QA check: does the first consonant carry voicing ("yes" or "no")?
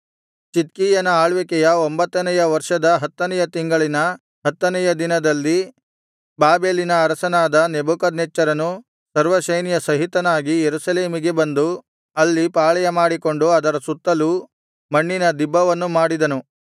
no